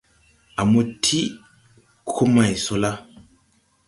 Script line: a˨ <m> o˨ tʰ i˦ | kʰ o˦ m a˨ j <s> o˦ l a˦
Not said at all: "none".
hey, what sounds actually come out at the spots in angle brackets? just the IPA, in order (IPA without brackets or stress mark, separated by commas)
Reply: m, s